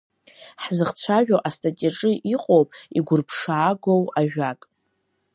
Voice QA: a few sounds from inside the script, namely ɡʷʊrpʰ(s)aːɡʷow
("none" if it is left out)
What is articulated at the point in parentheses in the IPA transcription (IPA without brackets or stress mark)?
ʂ